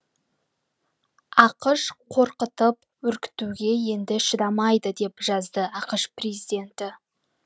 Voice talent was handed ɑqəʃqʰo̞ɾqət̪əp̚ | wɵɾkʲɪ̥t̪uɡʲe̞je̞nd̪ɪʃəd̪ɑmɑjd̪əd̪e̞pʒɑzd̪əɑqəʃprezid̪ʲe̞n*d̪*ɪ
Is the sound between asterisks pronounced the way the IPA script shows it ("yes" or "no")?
no